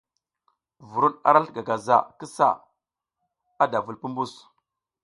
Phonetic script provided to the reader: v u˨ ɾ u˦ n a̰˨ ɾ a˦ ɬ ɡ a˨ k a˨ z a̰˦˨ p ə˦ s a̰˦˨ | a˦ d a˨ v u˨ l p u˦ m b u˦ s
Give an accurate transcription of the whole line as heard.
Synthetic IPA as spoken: v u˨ ɾ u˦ n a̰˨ ɾ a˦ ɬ ɡ a˨ ɡ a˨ z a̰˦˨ k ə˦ s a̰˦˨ | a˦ d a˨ v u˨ l p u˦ m b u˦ s